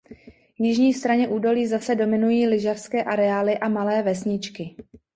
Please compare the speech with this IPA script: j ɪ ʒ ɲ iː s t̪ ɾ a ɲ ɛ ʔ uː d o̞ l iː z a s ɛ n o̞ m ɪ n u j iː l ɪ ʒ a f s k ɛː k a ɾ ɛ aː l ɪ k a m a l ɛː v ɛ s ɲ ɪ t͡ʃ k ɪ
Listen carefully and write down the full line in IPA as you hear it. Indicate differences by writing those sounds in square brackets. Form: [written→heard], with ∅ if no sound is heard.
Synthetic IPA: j ɪ ʒ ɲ iː s t̪ ɾ a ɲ ɛ ʔ uː d o̞ l iː z a s ɛ [n→d] o̞ m ɪ n u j iː l ɪ ʒ a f s k ɛː [k→ʔ] a ɾ ɛ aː l ɪ [k→ʔ] a m a l ɛː v ɛ s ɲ ɪ t͡ʃ k ɪ